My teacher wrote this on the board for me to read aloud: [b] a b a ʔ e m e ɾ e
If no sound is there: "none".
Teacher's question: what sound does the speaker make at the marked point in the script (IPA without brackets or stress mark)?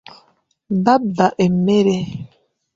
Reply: b